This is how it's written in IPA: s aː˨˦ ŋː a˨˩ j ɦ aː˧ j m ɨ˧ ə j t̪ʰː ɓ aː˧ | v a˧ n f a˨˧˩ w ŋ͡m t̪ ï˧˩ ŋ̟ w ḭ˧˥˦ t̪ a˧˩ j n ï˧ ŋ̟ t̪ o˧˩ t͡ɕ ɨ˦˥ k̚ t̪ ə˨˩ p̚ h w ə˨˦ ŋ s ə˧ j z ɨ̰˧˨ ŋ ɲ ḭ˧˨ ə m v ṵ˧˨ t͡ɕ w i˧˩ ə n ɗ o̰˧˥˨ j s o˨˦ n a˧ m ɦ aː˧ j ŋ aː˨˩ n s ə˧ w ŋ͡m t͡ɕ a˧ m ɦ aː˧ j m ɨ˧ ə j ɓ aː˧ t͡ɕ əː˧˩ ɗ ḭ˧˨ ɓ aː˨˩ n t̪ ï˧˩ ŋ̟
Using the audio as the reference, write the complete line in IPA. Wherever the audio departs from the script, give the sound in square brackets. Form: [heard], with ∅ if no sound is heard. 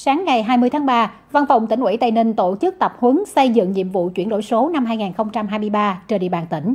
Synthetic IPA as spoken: s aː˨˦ ŋː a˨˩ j ɦ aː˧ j m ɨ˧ ə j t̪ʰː ɓ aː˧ | v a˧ n f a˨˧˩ w ŋ͡m t̪ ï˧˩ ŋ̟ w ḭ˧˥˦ t̪ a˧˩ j n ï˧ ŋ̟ t̪ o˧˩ t͡ɕ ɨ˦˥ k̚ t̪ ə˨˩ p̚ h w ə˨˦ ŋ s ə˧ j z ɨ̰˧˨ ŋ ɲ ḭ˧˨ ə m v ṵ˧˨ t͡ɕ w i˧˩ ə n ɗ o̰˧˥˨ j s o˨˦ n a˧ m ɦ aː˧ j ŋ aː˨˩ n [x] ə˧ w ŋ͡m t͡ɕ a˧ m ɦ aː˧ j m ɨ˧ ə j ɓ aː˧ t͡ɕ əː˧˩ ɗ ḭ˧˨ ɓ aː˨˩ n t̪ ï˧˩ ŋ̟